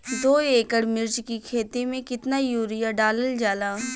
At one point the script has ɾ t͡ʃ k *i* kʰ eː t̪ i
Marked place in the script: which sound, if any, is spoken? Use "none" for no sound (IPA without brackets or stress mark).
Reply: i